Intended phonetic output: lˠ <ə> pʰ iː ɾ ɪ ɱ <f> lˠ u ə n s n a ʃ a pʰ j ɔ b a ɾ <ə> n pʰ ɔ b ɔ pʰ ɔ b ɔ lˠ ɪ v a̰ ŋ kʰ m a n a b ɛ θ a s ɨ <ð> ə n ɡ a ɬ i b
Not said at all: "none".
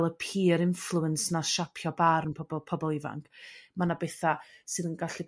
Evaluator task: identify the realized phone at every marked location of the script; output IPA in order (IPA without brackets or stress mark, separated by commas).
ə, f, ə, ð